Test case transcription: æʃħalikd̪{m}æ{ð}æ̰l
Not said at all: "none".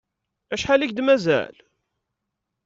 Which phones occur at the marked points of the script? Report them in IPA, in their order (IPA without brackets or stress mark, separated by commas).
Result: m, z